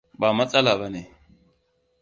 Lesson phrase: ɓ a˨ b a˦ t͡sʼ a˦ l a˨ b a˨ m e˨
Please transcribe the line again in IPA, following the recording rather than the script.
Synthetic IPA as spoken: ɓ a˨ m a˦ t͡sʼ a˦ l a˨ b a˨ n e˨

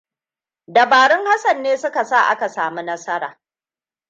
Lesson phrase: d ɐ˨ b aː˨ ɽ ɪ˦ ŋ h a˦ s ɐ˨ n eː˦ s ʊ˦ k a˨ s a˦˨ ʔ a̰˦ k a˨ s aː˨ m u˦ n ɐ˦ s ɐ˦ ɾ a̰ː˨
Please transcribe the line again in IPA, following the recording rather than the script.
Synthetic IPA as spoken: d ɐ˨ b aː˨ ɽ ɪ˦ ŋ h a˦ s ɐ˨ nː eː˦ s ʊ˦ k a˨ s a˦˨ ʔ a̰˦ k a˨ s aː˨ m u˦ n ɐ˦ s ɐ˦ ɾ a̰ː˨

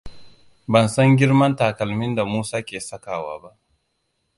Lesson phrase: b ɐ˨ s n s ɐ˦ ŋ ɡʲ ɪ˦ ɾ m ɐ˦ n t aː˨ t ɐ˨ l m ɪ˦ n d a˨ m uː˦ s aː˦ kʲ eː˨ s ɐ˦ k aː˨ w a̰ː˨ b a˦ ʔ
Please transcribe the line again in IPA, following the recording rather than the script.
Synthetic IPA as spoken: b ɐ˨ n s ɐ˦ ŋ ɡʲ ɪ˦ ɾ m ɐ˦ n t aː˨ k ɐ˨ l m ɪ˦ n d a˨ m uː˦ s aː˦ kʲ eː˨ s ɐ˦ k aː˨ w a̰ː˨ b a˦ ʔ

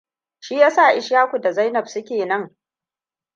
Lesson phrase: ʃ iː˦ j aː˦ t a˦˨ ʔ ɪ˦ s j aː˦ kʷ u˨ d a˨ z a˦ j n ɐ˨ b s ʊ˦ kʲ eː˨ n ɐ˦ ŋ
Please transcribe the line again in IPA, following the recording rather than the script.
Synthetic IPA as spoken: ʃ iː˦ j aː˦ s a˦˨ ʔ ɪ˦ ʃ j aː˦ kʷ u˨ d a˨ z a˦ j n ɐ˨ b s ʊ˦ kʲ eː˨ n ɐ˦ ŋ

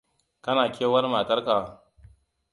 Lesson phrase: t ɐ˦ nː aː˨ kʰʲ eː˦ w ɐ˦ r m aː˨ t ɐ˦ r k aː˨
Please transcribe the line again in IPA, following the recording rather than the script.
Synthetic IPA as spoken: k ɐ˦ n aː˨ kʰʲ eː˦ w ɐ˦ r m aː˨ t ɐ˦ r k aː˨

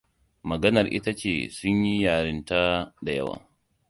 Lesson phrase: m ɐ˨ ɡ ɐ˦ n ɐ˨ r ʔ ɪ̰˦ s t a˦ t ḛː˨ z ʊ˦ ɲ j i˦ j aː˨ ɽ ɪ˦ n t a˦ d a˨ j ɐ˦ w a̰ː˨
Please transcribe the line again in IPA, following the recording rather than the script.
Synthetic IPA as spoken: m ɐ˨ ɡ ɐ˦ n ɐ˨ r ʔ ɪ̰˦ t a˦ t͡ʃ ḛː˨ s ʊ˦ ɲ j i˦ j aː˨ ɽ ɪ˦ n t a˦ d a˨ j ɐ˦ w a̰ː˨

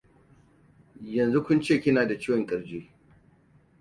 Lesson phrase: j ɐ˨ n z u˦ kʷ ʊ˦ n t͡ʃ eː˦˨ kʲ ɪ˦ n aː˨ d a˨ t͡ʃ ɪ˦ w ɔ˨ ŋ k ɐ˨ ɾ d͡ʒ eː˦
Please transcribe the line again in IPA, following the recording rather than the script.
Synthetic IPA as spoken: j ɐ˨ n z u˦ kʷ ʊ˦ n t͡ʃ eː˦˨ kʲ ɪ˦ n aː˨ d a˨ t͡ʃ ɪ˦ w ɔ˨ ŋ kʼ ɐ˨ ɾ d͡ʒ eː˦

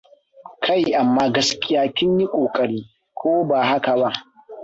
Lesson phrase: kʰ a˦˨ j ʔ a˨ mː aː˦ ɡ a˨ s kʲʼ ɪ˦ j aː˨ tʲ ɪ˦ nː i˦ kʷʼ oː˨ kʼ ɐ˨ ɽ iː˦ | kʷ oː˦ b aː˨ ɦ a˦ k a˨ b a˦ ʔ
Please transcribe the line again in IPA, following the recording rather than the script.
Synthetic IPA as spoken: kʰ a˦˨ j ʔ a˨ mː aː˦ ɡ ɐ˨ s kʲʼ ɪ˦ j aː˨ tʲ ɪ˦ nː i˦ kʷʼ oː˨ kʼ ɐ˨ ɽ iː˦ | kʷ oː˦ b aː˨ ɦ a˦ k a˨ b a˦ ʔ

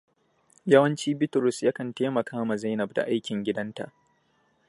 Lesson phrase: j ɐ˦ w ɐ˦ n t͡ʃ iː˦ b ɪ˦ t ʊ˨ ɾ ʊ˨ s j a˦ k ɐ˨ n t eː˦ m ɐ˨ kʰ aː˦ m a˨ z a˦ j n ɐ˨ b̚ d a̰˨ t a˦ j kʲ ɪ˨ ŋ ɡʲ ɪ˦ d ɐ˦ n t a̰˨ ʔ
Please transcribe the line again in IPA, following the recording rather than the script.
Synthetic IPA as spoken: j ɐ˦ w ɐ˦ n t͡ʃ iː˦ b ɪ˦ t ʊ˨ ɾ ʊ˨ s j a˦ k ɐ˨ n t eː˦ m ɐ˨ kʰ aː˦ m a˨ z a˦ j n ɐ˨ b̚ d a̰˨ ʔ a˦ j kʲ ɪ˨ ŋ ɡʲ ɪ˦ d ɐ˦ n t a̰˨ ʔ

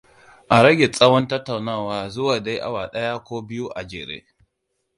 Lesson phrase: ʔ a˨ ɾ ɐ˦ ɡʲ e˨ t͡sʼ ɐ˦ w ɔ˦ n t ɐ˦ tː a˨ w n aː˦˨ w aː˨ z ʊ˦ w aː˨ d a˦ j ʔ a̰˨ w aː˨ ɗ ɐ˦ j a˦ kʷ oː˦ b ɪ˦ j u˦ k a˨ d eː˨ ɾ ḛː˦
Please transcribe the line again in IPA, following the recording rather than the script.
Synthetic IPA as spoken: ʔ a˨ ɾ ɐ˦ ɡʲ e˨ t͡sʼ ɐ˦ w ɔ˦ n t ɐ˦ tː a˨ w n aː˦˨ w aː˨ z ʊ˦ w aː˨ d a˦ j ʔ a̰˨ w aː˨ ɗ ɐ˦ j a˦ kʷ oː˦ b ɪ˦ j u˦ ʔ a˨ d͡ʒ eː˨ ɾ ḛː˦

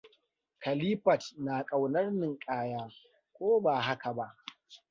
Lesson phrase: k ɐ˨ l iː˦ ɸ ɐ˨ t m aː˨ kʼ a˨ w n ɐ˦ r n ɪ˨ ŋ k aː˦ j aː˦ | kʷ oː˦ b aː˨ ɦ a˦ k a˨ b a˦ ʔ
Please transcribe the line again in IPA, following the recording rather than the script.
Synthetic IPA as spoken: k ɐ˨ l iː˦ ɸ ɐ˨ t n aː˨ kʼ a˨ w n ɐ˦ r n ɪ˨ ŋ kʼ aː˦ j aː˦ | kʷ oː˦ b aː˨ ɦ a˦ k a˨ b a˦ ʔ

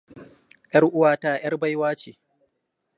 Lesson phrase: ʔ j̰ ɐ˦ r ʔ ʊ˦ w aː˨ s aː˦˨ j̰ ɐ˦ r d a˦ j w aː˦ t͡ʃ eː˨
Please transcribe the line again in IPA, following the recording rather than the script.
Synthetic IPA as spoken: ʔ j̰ ɐ˦ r ʔ ʊ˦ w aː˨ t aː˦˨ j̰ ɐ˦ r b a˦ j w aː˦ t͡ʃ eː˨

